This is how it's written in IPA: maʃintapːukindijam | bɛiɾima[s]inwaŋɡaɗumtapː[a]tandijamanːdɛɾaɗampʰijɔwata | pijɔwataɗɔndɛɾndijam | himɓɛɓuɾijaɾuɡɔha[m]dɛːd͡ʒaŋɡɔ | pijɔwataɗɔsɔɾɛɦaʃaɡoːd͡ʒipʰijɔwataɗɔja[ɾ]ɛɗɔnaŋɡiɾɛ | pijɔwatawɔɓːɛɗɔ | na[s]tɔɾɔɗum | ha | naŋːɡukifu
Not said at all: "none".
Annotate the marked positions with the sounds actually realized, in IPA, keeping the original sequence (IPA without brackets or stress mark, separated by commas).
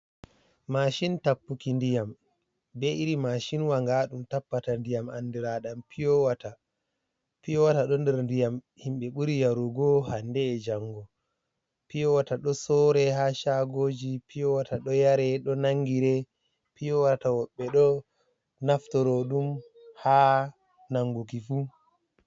ʃ, a, n, ɾ, f